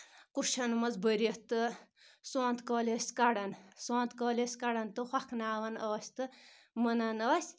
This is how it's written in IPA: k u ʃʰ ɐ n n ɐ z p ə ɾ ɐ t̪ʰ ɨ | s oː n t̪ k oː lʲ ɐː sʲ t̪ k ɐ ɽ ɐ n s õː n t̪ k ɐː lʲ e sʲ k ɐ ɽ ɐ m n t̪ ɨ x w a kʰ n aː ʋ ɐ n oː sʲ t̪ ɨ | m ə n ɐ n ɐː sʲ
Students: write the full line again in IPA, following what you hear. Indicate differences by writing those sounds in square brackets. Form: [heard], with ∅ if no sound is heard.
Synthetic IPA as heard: k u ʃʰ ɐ n [m] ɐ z [b] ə ɾ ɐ [t̪] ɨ | s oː n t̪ k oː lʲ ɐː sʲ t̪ k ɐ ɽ ɐ n s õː n t̪ k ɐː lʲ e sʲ k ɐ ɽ ɐ [∅] n t̪ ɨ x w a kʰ n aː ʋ ɐ n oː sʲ t̪ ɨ | m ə n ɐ n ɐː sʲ